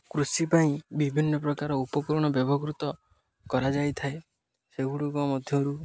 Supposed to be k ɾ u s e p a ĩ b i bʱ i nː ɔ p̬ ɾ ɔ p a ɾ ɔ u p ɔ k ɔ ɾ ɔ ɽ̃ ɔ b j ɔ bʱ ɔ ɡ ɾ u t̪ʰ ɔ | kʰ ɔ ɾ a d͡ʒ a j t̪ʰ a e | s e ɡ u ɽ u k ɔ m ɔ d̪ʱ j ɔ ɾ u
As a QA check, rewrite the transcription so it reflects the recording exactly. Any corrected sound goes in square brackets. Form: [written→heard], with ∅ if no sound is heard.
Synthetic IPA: k ɾ u s [e→i] p a ĩ b i bʱ i nː ɔ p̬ ɾ ɔ [p→k] a ɾ ɔ u p ɔ k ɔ ɾ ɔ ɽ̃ ɔ b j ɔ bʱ ɔ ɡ ɾ u [t̪ʰ→t̪] ɔ | [kʰ→k] ɔ ɾ a d͡ʒ a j t̪ʰ a e | s e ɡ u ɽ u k ɔ m ɔ d̪ʱ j ɔ ɾ u